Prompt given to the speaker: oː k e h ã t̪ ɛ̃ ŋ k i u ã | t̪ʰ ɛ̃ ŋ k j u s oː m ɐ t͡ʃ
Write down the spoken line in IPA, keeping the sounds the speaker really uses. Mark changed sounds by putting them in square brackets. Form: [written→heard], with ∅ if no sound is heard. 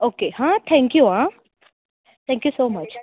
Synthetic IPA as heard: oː k e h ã [t̪→t̪ʰ] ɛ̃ ŋ k [i→j] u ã | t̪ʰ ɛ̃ ŋ k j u s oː m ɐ t͡ʃ